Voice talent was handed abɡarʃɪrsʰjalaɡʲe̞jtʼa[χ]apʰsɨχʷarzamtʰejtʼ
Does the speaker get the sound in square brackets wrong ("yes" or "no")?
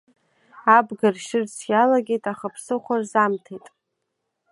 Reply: no